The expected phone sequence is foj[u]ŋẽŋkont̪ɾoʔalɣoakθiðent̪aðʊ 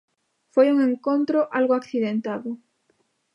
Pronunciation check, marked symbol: correct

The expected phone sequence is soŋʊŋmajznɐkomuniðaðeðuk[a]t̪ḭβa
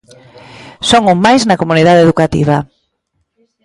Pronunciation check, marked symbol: correct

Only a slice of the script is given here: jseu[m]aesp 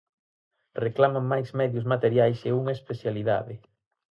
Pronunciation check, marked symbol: incorrect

